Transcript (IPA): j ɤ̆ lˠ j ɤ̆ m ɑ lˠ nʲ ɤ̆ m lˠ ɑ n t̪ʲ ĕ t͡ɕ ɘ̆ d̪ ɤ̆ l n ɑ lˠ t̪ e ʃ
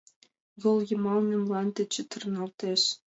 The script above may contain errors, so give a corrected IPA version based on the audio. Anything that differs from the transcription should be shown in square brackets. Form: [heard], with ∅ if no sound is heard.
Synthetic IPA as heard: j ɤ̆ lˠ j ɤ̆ m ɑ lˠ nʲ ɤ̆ m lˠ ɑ n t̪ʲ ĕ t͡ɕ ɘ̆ [t̪] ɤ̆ [r] n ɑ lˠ t̪ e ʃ